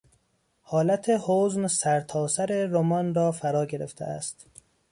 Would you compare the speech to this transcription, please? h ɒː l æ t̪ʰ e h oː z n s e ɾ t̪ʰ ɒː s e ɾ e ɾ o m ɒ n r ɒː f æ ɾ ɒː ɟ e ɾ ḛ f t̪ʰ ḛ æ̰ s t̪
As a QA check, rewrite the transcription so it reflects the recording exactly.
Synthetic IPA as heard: h ɒː l æ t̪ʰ e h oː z n s æ ɾ t̪ʰ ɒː s æ ɾ e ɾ o m ɒ n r ɒː f æ ɾ ɒː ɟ e ɾ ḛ f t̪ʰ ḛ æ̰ s t̪

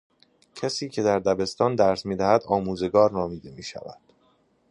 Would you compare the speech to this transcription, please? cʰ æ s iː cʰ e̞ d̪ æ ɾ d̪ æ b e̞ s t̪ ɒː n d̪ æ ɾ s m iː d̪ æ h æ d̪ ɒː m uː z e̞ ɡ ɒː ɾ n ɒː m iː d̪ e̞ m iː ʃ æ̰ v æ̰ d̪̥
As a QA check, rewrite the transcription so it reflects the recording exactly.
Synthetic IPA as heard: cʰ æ s iː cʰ e̞ d̪ æ ɾ d̪ æ b e̞ s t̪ ɒː n d̪ æ ɾ s m iː d̪ æ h æ d̪ ɒː m uː z e̞ ɡ ɒː ɾ n ɒː m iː d̪ e̞ m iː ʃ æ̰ v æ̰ d̪̥

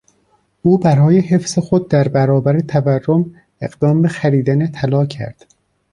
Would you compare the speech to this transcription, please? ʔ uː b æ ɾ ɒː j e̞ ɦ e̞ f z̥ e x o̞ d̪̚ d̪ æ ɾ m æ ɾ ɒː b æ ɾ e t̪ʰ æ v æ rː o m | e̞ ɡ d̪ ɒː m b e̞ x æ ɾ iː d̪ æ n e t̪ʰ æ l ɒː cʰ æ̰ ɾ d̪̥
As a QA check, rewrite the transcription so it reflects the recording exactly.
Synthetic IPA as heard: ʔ uː b æ ɾ ɒː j e̞ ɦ e̞ f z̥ e x o̞ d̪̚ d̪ æ ɾ b æ ɾ ɒː b æ ɾ e t̪ʰ æ v æ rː o m | e̞ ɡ d̪ ɒː m b e̞ x æ ɾ iː d̪ æ n e t̪ʰ æ l ɒː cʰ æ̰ ɾ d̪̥

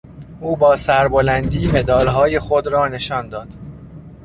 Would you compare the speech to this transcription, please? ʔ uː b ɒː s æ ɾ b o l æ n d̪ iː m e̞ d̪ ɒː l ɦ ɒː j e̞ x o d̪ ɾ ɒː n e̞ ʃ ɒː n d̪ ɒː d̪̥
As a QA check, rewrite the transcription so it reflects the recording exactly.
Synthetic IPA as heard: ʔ uː b ɒː s æ ɾ b o l æ n d̪ iː m e̞ d̪ ɒː l ɦ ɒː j e̞ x o d̪ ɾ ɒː n e̞ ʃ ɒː n d̪ ɒː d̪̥

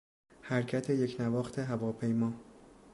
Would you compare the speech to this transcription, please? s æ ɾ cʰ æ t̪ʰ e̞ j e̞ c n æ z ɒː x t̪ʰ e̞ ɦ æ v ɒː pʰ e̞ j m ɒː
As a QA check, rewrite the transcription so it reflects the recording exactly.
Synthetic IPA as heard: h æ ɾ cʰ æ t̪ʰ e̞ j e̞ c n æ v ɒː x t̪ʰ e̞ ɦ æ v ɒː pʰ e̞ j m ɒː

